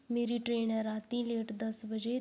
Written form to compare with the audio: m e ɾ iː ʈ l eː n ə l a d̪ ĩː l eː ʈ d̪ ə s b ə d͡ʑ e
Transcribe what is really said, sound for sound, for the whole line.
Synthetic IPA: m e ɾ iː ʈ ɾ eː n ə ɾ a t̪ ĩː l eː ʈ d̪ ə s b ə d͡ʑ e

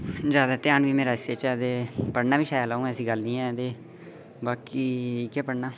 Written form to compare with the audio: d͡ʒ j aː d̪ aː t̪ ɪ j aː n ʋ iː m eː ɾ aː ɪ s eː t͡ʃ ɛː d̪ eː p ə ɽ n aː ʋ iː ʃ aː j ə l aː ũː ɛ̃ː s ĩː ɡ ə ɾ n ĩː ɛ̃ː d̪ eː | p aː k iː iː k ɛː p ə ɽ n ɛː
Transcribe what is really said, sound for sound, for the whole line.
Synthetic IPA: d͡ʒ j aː d̪ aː t̪ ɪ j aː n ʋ iː m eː ɾ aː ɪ s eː t͡ʃ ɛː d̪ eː p ə ɽ n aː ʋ iː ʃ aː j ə l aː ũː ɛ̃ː s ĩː ɡ ə l n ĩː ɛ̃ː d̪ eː | b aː k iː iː k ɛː p ə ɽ n aː

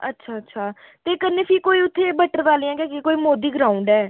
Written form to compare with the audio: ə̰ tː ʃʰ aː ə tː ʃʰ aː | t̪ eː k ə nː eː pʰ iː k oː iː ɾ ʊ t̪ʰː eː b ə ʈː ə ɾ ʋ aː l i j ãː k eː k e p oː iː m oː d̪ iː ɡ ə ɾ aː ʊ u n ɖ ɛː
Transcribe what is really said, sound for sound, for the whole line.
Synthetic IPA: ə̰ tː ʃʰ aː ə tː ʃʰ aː | t̪ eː k ə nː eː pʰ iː k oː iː ʊ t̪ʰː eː b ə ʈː ə ɾ ʋ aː l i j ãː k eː k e k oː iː m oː d̪ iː ɡ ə ɾ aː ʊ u ɳ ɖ ɛː

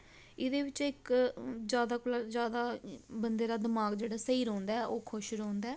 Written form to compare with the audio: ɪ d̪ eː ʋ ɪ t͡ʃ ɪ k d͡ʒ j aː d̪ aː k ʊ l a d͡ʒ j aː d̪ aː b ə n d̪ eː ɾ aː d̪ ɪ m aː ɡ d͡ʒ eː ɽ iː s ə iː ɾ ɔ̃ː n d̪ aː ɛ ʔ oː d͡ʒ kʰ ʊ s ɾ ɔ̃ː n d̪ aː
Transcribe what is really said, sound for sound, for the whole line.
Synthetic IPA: ɪ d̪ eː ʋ ɪ t͡ʃ ɪ k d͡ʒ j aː d̪ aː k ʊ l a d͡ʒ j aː d̪ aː b ə n d̪ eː ɾ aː d̪ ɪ m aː ɡ d͡ʒ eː ɽ aː s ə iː ɾ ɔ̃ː n d̪ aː ɛ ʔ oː kʰ ʊ ʃ ɾ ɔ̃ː n d̪ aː

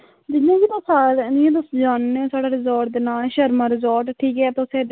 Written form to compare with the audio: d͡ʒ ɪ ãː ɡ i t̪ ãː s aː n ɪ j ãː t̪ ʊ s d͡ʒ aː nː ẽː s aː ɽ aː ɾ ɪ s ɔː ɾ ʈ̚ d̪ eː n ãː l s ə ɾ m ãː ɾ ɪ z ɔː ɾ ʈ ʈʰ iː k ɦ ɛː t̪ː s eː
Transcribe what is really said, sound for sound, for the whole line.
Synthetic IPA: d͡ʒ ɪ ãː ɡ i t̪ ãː s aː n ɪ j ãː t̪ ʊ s d͡ʒ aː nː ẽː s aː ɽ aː ɾ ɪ z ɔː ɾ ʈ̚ d̪ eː n aː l ʃ ə ɾ m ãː ɾ ɪ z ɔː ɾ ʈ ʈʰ iː k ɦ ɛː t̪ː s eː

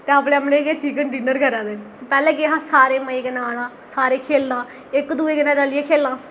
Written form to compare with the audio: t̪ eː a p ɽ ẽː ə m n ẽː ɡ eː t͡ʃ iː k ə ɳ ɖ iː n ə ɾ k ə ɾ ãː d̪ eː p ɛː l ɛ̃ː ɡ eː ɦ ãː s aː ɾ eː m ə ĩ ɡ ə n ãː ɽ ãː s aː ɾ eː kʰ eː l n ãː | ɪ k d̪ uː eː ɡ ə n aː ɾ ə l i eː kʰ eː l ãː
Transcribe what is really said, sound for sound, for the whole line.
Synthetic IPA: t̪ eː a p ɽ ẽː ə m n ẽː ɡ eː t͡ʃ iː k ə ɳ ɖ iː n ə ɾ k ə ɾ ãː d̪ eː p ɛː l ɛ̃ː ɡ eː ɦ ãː s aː ɾ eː m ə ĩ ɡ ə n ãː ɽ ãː s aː ɾ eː kʰ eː l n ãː | ɪ k d̪ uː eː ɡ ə n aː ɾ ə l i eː kʰ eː l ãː

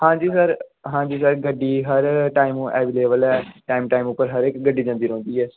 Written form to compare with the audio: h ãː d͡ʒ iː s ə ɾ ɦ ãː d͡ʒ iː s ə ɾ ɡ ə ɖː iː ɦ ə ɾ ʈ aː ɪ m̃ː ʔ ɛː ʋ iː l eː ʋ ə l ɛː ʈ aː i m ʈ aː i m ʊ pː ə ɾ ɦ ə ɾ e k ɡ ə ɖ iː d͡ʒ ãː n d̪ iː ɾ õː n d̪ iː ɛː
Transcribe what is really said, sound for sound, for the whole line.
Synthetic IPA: h ãː d͡ʒ iː s ə ɾ ɦ ãː d͡ʒ iː s ə ɾ ɡ ə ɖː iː ɦ ə ɾ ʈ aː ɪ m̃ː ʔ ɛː ʋ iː l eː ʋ ə l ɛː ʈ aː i m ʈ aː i m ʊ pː ə ɾ ɦ ə ɾ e k ɡ ə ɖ iː d͡ʒ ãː n d̪ iː ɾ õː n d̪ iː ɛː

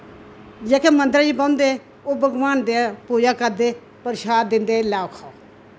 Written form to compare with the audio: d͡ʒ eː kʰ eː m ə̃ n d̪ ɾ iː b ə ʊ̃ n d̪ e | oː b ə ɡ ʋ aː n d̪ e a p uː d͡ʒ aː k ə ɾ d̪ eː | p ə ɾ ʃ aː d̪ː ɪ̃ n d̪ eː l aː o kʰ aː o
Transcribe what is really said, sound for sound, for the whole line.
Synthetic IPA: d͡ʒ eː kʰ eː m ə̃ n d̪ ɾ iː b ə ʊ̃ n d̪ e | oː b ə ɡ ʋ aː n d̪ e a p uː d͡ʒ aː k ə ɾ d̪ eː | p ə ɾ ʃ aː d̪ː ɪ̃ n d̪ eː l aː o kʰ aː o

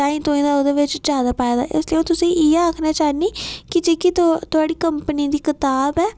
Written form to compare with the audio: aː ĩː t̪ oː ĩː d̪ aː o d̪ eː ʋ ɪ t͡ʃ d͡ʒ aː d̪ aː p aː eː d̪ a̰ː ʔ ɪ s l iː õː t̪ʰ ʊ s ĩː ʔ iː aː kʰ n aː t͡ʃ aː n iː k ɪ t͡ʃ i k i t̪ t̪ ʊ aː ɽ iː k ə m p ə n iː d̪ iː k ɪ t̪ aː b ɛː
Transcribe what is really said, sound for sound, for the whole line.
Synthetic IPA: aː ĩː t̪ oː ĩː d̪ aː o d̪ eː ʋ ɪ t͡ʃ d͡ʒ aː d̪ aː p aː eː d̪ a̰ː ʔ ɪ s l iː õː t̪ ʊ s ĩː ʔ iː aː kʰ n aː t͡ʃ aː n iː k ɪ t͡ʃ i k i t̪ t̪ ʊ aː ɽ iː k ə m p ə n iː d̪ iː k ɪ t̪ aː b ɛː

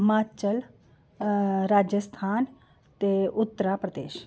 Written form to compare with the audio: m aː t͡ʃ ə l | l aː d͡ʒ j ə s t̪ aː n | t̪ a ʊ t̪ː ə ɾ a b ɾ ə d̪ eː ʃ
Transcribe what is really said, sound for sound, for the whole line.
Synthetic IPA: m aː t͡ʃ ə l | ɾ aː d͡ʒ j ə s t̪ʰ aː n | t̪ e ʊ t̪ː ə ɾ a p ɾ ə d̪ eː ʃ

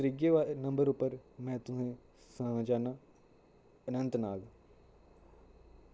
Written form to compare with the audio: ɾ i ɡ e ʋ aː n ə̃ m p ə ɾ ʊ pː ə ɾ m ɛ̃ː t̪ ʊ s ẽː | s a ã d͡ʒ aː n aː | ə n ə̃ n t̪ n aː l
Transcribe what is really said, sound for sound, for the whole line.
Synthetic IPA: ɾ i ɡ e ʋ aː n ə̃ m b ə ɾ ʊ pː ə ɾ m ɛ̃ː t̪ ʊ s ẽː | s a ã d͡ʒ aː n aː | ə n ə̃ n t̪ n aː l

